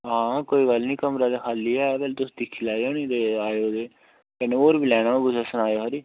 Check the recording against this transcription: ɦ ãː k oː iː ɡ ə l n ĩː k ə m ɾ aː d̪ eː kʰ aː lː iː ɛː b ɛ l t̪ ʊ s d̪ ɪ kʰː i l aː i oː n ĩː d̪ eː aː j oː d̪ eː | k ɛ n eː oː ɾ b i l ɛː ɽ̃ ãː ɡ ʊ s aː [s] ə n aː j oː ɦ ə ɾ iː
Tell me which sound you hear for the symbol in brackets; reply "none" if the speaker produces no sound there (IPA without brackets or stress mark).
s